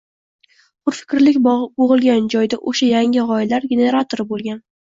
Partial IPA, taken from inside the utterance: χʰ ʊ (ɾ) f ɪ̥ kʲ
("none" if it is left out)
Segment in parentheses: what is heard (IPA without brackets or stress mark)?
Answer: ɾ